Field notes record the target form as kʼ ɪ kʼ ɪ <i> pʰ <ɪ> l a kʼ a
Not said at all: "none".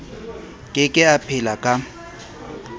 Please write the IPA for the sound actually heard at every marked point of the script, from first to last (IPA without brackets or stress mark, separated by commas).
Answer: a, ɪ